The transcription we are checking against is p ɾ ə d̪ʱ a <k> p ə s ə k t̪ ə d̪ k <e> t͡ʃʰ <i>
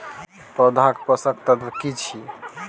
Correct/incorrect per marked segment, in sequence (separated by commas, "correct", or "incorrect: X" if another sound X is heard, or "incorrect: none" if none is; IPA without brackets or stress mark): correct, incorrect: i, correct